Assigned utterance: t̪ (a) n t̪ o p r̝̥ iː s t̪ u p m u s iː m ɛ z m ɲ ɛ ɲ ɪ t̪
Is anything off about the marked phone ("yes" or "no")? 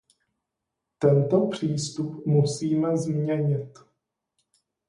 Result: yes